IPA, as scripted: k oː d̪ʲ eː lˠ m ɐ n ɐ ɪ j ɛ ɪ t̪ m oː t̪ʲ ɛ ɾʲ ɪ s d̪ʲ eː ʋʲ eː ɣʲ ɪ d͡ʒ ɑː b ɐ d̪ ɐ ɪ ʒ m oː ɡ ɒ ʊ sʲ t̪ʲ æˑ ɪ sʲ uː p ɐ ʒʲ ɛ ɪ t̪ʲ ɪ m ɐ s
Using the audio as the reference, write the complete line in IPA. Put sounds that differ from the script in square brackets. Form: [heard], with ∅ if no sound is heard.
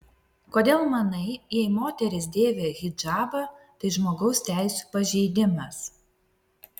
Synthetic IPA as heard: k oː d̪ʲ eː lˠ m ɐ n ɐ ɪ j ɛ ɪ [∅] m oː t̪ʲ ɛ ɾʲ ɪ s d̪ʲ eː ʋʲ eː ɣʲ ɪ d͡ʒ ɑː b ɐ [t̪] ɐ ɪ ʒ m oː ɡ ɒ ʊ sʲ t̪ʲ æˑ ɪ sʲ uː p ɐ ʒʲ ɛ ɪ [d̪ʲ] ɪ m ɐ s